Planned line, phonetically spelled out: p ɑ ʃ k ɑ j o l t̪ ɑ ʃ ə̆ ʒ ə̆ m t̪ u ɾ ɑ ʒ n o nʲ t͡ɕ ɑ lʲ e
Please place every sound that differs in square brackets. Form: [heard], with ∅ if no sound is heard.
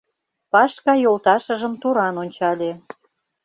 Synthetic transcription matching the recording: p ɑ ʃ k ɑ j o l t̪ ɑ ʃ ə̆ ʒ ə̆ m t̪ u ɾ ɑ [∅] n o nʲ t͡ɕ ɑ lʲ e